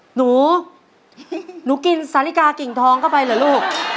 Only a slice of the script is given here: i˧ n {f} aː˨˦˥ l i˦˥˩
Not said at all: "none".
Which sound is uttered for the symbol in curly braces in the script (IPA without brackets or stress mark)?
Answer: s